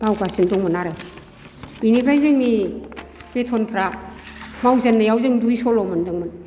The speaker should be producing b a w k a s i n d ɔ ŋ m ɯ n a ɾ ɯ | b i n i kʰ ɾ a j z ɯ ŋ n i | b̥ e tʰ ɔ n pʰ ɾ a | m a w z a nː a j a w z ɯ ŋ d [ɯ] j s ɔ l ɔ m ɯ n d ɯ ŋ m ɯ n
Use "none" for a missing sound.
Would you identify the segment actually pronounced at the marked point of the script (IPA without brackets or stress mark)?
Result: u